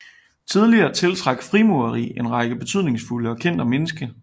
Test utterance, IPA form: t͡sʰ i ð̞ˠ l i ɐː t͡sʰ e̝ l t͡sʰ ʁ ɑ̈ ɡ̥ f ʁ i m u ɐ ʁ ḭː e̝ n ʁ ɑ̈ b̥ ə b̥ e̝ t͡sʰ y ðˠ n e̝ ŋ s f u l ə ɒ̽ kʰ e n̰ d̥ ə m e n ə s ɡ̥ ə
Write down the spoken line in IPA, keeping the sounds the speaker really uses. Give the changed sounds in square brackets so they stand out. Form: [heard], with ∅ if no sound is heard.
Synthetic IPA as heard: t͡sʰ i ð̞ˠ l i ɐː t͡sʰ e̝ l t͡sʰ ʁ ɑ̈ ɡ̥ f ʁ i m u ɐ ʁ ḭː e̝ n ʁ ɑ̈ [ɡ̥] ə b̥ e̝ t͡sʰ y ðˠ n e̝ ŋ s f u l ə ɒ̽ kʰ e n̰ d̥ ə m e n ə s ɡ̥ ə